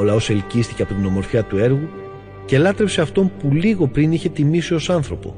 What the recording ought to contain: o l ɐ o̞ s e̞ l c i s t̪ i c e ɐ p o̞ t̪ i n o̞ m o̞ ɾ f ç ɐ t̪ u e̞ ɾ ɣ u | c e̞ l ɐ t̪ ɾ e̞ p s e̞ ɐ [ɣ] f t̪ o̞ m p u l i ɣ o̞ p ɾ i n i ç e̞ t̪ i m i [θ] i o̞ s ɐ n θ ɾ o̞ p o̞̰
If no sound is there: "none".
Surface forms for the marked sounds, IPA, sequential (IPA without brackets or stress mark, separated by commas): none, s